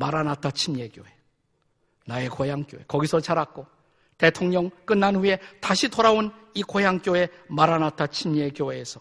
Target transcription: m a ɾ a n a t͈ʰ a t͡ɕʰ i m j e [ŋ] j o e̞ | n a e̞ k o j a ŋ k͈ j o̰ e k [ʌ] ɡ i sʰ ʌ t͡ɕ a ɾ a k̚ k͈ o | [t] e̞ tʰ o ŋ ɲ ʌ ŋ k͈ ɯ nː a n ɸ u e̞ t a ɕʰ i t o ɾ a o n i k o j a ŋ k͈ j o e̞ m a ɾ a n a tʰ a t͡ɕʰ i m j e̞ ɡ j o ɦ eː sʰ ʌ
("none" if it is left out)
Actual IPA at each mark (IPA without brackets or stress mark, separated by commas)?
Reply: ɡ, ʌ, t